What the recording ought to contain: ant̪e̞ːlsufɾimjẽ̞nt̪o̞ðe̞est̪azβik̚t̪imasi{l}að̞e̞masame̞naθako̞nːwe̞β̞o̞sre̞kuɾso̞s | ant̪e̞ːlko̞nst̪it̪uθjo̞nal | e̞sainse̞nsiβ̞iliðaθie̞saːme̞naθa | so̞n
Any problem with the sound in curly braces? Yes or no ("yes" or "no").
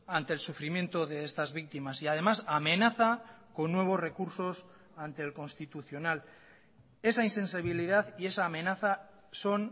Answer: yes